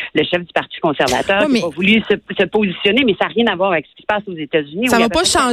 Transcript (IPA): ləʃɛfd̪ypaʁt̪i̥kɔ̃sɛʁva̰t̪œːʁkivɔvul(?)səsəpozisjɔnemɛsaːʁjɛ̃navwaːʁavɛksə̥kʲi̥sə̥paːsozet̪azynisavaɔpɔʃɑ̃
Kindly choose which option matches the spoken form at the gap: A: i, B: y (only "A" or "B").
B